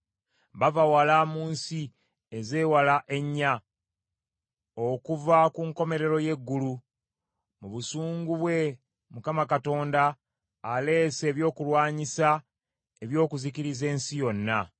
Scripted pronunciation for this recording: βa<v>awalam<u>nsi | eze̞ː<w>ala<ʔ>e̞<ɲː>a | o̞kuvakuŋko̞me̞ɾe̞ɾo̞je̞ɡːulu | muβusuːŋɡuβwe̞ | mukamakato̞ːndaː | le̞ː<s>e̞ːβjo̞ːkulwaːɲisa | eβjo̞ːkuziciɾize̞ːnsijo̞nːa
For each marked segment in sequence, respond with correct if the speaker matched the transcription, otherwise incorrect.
correct, incorrect, correct, correct, correct, correct

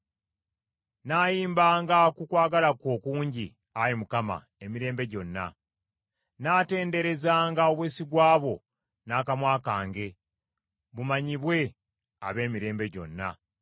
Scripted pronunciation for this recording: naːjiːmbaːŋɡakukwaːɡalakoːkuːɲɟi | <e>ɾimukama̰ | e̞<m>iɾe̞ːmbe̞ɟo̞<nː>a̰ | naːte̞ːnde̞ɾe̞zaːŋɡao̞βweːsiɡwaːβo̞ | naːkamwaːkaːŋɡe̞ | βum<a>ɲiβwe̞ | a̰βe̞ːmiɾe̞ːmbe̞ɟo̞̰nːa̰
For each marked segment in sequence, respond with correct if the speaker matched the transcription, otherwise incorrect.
incorrect, correct, correct, correct

